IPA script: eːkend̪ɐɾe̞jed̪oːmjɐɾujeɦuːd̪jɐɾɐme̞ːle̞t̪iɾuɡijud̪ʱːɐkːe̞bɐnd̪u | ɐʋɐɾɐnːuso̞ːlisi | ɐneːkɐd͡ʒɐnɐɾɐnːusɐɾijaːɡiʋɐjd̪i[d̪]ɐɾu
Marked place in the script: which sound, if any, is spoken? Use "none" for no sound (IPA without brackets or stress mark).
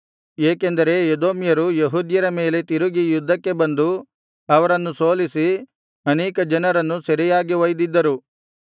d̪ː